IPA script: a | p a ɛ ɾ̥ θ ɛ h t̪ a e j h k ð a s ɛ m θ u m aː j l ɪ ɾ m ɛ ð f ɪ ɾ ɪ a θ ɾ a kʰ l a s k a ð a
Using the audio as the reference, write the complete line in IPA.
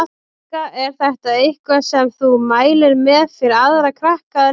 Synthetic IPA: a | k a ɛ ɾ̥ θ ɛ h t̪ a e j h k v a s ɛ m θ u m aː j l ɪ ɾ m ɛ ð f ɪ ɾ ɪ a ð ɾ a kʰ ɾ a h k a ð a